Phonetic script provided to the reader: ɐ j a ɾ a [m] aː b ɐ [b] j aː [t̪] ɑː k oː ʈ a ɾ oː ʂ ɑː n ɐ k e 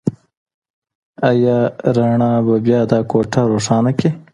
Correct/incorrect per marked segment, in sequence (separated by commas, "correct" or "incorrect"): incorrect, correct, incorrect